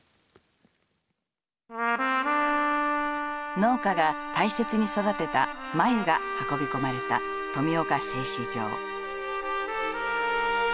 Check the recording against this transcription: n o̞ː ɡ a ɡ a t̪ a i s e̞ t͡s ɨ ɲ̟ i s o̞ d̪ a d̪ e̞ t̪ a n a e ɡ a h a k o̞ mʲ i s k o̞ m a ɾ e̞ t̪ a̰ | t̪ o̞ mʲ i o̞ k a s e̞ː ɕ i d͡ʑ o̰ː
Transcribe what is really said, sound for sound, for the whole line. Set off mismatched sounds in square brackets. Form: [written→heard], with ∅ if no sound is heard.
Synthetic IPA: n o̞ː [ɡ→k] a ɡ a t̪ a i s e̞ t͡s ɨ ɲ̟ i s o̞ d̪ a [d̪→t̪] e̞ t̪ a [n→m] a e ɡ a h a k o̞ [mʲ→bʲ] i [s→∅] k o̞ m a ɾ e̞ t̪ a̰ | t̪ o̞ mʲ i o̞ k a s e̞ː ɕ i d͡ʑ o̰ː